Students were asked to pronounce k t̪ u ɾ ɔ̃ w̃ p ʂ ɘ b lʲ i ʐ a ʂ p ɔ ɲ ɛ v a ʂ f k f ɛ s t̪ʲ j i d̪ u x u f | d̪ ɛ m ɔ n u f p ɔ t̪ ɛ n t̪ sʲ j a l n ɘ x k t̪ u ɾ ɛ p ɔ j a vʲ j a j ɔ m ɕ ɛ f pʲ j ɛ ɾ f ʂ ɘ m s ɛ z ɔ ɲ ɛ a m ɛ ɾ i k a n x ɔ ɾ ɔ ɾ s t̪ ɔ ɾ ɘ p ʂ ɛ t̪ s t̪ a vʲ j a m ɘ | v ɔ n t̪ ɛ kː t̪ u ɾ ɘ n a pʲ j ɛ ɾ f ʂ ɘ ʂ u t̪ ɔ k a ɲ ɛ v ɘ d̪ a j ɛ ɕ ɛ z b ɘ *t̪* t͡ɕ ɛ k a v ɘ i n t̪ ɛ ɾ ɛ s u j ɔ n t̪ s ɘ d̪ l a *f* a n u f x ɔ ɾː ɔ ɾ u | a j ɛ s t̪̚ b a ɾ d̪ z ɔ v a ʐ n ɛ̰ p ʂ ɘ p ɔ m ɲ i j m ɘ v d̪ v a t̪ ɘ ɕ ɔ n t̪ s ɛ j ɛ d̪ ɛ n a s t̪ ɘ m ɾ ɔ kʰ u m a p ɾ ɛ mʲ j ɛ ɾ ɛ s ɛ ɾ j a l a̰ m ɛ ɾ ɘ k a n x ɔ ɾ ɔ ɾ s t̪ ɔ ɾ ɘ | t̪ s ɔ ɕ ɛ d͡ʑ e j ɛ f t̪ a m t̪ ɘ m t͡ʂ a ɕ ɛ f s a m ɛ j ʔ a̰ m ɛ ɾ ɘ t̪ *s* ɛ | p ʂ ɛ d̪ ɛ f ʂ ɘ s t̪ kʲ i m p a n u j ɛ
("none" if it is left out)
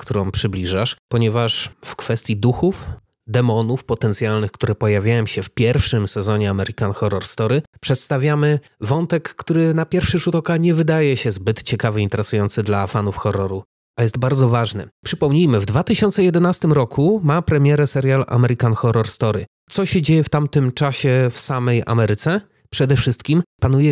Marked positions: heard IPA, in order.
t̪, f, s

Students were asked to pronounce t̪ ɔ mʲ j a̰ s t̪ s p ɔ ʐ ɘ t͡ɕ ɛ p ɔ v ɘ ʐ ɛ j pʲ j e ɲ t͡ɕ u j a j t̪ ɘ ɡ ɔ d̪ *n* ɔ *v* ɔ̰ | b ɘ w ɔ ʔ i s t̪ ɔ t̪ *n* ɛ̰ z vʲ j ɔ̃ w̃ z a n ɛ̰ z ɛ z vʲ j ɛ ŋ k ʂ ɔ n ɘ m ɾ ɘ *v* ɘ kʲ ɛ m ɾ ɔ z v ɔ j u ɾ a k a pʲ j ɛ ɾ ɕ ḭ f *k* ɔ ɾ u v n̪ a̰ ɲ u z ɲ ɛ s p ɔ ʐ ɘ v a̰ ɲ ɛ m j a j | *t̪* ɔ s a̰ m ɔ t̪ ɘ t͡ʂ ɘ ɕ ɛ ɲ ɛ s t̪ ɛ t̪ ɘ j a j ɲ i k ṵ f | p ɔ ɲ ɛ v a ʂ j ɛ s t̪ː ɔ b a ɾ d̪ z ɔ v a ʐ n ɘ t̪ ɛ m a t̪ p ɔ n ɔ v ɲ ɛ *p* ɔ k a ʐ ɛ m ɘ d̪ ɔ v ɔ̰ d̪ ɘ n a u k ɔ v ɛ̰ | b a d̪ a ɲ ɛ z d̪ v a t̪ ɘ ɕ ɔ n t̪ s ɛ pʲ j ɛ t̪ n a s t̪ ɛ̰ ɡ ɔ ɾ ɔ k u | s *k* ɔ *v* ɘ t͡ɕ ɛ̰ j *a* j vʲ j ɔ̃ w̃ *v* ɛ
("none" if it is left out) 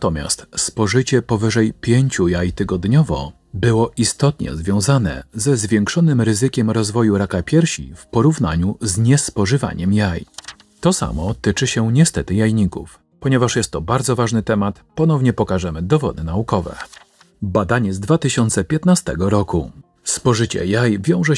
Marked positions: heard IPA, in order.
ɲ, v, ɲ, z, p, t̪, p, p, ʐ, a, ʐ

